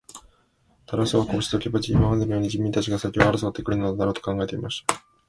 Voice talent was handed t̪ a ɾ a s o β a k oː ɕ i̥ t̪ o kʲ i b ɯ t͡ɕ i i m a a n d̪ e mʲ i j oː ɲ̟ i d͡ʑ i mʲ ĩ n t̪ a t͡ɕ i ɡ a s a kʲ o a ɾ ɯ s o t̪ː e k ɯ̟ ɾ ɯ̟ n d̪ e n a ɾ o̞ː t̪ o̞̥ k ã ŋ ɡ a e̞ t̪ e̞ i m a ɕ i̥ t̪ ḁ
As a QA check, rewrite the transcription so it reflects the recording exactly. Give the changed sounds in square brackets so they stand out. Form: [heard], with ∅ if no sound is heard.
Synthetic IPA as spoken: t̪ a ɾ a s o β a k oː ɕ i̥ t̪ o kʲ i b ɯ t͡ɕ i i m a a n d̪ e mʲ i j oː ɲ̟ i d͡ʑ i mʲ ĩ n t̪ a t͡ɕ i ɡ a s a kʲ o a ɾ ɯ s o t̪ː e k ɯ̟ ɾ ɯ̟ n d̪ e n a ɾ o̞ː t̪ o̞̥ k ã ŋ ɡ a e̞ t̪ e̞ i m a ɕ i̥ t̪ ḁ